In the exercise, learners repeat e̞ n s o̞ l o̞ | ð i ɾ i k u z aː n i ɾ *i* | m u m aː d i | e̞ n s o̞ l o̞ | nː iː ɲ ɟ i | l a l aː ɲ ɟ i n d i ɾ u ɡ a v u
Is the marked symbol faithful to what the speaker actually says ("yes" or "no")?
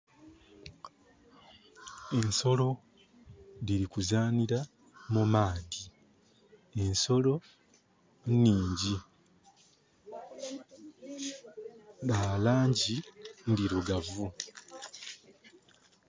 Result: no